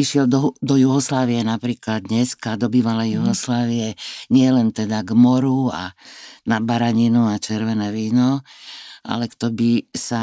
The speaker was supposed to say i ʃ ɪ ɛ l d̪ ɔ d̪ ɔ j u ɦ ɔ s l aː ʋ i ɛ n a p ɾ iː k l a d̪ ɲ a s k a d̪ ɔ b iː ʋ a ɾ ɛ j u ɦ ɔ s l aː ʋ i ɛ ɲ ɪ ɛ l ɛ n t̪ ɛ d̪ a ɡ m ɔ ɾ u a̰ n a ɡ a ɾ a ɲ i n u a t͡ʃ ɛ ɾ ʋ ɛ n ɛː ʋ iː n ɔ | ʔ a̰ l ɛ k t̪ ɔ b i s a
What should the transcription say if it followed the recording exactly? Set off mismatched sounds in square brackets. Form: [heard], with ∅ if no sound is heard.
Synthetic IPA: i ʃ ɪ ɛ l d̪ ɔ d̪ ɔ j u ɦ ɔ s l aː ʋ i ɛ n a p ɾ iː k l a d̪ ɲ [ɛ] s k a d̪ ɔ b iː ʋ a [l] ɛ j u ɦ ɔ s l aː ʋ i ɛ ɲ ɪ ɛ l ɛ n t̪ ɛ d̪ a ɡ m ɔ ɾ u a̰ n a [b] a ɾ a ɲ i n u a t͡ʃ ɛ ɾ ʋ ɛ n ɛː ʋ iː n ɔ | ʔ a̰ l ɛ k t̪ ɔ b i s a